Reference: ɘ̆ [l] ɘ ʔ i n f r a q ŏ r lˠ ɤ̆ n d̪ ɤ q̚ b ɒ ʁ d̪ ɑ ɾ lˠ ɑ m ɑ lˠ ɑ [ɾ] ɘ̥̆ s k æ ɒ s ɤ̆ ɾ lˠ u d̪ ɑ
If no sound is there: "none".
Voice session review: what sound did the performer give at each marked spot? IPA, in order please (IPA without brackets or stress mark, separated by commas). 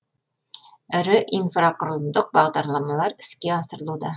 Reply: ɾ, ɾ